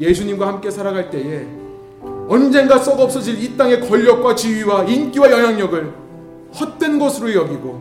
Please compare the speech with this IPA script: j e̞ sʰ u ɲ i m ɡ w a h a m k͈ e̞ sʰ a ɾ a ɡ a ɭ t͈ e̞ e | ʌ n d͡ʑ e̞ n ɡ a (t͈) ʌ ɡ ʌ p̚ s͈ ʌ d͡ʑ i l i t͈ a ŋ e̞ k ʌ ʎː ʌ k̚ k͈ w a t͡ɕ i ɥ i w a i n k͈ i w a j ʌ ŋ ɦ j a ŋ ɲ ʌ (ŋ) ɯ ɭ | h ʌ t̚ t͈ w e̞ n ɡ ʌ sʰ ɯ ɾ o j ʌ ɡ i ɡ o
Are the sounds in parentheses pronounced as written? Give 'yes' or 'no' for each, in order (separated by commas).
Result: no, no